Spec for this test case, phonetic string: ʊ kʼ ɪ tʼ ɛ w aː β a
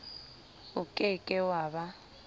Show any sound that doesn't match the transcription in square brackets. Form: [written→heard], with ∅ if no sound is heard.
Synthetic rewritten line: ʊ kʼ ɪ [tʼ→kʼ] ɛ w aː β a